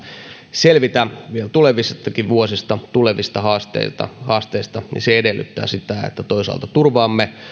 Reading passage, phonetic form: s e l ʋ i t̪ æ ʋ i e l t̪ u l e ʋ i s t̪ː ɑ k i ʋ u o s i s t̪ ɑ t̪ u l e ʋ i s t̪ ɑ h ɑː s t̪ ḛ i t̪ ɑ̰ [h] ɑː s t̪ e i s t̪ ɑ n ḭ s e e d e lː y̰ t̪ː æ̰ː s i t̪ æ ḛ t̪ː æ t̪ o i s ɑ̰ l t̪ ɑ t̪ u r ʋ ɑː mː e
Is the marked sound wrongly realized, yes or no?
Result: no